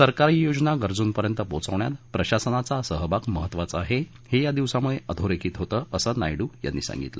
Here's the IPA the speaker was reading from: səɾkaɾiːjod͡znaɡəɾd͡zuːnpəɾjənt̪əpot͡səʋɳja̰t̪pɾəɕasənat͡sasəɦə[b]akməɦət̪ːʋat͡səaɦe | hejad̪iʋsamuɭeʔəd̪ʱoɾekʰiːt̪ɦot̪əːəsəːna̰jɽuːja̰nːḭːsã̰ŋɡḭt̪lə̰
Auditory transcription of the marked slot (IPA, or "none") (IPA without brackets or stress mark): b